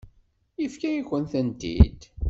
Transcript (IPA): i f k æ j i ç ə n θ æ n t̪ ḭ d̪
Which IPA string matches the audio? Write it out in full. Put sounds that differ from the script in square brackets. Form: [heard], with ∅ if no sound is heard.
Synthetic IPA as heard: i f k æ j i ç ə n θ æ n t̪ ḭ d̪